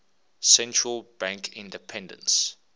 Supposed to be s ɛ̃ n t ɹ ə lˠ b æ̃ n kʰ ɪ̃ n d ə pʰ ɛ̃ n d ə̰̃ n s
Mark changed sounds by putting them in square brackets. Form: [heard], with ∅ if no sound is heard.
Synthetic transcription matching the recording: s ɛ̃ n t ɹ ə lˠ b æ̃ [ŋ] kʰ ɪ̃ n d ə pʰ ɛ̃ n d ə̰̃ n s